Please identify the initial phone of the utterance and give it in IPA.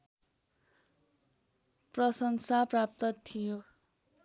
p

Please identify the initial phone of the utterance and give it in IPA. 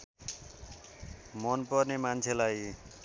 m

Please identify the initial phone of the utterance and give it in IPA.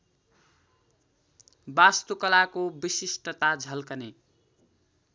b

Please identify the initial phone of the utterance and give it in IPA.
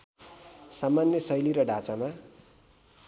s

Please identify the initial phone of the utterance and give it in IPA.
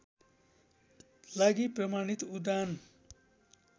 l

